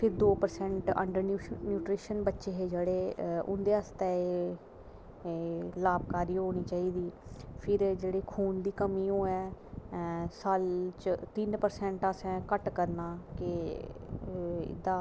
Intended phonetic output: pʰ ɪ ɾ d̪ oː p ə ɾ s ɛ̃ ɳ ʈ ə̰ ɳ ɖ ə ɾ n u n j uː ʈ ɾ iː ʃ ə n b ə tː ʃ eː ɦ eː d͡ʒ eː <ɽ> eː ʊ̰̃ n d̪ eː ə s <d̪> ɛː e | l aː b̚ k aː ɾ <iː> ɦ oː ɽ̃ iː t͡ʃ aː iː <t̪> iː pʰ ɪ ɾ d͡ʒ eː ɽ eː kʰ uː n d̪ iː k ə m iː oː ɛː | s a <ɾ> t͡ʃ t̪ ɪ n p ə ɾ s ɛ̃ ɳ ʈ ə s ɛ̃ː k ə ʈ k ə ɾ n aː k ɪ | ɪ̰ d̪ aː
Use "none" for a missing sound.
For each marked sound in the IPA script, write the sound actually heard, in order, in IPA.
ɽ, t̪, iː, d̪, l

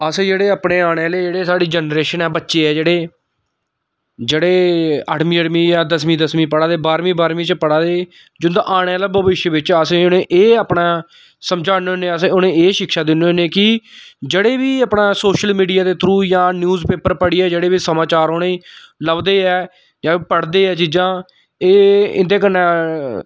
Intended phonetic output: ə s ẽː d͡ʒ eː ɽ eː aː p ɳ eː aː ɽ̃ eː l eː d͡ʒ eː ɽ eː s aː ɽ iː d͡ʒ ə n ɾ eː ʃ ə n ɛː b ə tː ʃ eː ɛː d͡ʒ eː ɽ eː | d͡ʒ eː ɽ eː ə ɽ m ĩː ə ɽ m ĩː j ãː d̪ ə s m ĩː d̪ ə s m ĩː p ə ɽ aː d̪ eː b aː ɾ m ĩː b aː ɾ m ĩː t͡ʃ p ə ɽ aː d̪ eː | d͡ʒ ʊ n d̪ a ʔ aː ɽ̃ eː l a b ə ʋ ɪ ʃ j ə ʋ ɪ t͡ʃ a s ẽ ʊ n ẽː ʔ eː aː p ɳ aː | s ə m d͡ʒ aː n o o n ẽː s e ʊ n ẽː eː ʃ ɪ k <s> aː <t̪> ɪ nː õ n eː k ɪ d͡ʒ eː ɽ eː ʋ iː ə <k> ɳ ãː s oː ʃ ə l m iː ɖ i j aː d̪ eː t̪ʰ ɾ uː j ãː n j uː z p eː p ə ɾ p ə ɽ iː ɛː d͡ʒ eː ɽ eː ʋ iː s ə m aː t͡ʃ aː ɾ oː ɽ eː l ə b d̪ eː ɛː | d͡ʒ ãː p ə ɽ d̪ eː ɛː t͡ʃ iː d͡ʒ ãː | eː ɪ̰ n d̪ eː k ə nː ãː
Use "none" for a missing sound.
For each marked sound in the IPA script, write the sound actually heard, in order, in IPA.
ʃ, d̪, p

